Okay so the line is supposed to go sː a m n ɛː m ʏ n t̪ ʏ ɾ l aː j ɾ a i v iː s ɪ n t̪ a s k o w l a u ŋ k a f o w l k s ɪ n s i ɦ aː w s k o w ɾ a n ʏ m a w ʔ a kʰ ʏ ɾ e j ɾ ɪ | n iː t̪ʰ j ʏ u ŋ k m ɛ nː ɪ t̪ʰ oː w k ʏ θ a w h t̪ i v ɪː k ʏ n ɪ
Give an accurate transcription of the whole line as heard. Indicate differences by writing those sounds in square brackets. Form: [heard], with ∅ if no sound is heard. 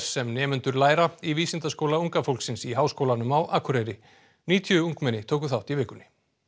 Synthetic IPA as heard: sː [ɛ] m n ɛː m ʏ n t̪ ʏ ɾ l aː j ɾ a i v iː s ɪ n t̪ a s k o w l a u ŋ k a f o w l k s ɪ n s i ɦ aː w s k o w [l] a n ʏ m a w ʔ a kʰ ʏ ɾ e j ɾ ɪ | n iː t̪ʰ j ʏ u ŋ k m ɛ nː ɪ t̪ʰ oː w k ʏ θ a w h t̪ i v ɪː k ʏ n ɪ